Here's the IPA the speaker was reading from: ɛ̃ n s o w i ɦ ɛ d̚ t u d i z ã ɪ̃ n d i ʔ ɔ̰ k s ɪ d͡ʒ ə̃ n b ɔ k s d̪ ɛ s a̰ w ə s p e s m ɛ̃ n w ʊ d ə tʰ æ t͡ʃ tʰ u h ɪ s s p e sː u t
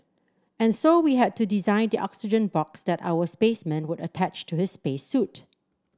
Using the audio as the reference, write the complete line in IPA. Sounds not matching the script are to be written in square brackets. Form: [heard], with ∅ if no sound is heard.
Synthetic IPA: ɛ̃ n s o w i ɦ ɛ d̚ t u d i z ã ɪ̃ n d i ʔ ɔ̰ k s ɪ d͡ʒ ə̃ n b ɔ k s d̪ ɛ [t] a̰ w ə s p e s m ɛ̃ n w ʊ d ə tʰ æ t͡ʃ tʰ u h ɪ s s p e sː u t

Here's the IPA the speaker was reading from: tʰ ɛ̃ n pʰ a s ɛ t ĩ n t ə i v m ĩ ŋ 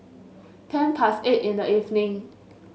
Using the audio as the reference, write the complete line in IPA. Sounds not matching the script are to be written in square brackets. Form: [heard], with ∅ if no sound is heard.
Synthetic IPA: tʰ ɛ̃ n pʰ a s [e] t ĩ n [d] ə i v [n] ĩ ŋ

